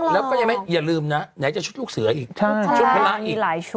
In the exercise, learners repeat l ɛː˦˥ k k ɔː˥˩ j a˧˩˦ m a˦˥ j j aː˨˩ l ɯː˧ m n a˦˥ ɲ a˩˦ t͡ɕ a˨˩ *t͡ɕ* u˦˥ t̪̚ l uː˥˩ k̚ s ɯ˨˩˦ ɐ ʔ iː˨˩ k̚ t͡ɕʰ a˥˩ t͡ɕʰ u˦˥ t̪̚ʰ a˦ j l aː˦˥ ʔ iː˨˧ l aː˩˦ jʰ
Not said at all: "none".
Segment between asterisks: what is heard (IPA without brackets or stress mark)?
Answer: t͡ɕʰ